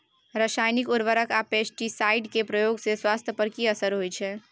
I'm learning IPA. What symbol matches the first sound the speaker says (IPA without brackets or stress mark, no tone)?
ɾ